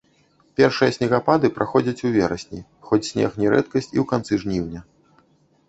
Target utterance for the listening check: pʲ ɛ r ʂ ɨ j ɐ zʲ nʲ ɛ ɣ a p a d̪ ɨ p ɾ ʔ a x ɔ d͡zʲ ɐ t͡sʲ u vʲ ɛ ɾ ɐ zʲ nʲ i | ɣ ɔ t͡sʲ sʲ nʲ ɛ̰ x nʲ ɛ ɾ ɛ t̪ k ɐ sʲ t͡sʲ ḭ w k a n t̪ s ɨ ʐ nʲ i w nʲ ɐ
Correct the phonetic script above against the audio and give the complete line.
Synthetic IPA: pʲ ɛ r ʂ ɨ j ɐ sʲ nʲ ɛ ɣ a p a d̪ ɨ p ɾ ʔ a x ɔ d͡zʲ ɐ t͡sʲ u vʲ ɛ ɾ ɐ sʲ nʲ i | x ɔ t͡sʲ sʲ nʲ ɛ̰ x nʲ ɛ ɾ ɛ t̪ k ɐ sʲ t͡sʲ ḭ w k a n t̪ s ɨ ʐ nʲ i w nʲ ɐ